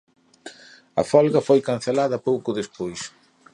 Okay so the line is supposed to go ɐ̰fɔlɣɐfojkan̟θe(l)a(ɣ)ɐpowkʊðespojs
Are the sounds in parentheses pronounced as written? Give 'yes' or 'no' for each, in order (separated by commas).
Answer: yes, no